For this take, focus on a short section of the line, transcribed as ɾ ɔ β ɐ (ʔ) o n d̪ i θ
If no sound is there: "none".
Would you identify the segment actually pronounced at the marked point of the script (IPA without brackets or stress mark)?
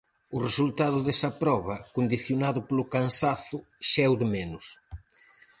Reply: k